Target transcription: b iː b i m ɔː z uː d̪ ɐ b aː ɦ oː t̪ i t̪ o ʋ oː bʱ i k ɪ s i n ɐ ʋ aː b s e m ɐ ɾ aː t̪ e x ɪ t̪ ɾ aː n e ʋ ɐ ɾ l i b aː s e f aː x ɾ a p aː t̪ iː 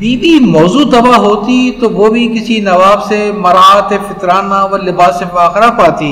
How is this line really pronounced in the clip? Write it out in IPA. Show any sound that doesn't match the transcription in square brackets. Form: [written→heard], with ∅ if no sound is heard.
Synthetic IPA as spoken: b iː b i m ɔː z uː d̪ ɐ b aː ɦ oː t̪ i t̪ o ʋ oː bʱ i k ɪ s i n ɐ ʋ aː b s e m ɐ ɾ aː t̪ e [x→f] ɪ t̪ ɾ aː n [e→a] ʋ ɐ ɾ l [i→ɪ] b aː s e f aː x ɾ a p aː t̪ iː